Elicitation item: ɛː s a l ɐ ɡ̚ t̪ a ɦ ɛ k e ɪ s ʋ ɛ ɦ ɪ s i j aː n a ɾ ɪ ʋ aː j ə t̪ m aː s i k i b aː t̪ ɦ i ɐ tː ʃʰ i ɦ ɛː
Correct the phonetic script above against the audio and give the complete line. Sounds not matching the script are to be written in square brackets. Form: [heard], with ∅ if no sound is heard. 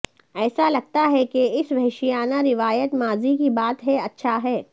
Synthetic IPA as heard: ɛː s a l ɐ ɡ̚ t̪ a ɦ ɛ k e ɪ s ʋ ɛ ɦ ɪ [ʃ] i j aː n a ɾ ɪ ʋ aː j ə t̪ m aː [z] i k i b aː t̪ ɦ [ɛ] ɐ tː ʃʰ [a] ɦ ɛː